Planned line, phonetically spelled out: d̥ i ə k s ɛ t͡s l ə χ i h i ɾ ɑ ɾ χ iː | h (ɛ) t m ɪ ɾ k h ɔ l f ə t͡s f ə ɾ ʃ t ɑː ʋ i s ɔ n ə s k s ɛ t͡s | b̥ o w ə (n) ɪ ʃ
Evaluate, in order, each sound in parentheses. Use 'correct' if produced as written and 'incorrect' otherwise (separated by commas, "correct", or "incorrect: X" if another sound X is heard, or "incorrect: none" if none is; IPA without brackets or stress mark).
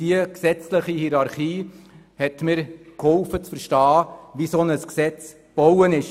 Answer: correct, correct